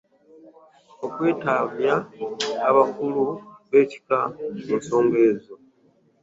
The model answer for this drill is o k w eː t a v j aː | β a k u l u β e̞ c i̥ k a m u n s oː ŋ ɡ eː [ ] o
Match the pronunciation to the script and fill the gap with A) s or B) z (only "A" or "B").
B